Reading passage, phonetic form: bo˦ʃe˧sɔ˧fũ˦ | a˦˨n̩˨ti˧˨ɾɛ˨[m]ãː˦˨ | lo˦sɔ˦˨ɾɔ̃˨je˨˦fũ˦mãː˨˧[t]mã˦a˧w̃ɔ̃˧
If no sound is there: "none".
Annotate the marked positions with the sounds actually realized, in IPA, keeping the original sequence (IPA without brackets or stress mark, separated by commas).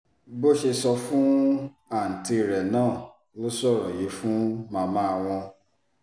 n, none